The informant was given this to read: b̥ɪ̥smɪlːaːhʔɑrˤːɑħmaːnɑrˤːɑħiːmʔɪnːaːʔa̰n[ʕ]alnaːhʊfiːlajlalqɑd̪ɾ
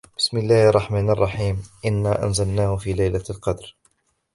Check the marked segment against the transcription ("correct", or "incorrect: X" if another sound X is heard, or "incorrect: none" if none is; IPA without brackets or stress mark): incorrect: z